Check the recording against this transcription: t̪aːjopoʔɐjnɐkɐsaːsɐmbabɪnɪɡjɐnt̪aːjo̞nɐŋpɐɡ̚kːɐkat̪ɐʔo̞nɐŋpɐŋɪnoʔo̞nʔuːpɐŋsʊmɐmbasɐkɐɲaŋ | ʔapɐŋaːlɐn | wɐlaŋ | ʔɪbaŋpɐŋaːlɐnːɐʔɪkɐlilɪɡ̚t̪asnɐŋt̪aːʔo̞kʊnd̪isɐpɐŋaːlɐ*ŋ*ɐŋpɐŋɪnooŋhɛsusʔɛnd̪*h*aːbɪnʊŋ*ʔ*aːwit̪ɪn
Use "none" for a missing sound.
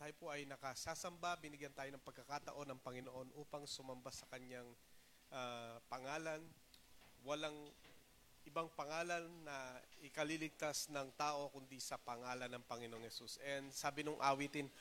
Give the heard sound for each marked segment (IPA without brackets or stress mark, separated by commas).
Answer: n, s, ʔ